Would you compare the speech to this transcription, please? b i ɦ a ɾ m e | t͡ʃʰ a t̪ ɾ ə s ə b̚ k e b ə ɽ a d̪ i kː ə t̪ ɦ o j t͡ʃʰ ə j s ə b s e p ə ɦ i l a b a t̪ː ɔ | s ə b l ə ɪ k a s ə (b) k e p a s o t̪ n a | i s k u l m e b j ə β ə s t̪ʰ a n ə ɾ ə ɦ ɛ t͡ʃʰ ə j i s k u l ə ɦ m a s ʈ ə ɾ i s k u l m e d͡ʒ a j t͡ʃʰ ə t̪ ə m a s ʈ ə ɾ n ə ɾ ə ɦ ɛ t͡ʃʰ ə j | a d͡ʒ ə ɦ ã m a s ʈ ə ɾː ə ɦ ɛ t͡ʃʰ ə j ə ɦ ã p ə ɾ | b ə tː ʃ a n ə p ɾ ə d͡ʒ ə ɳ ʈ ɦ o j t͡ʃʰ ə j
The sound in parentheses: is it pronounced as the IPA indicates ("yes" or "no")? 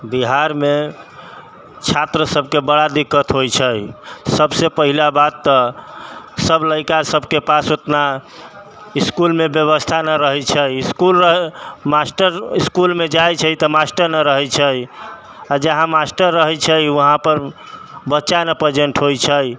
yes